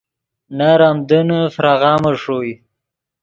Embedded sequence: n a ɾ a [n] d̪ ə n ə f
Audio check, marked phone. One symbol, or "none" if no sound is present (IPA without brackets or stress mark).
m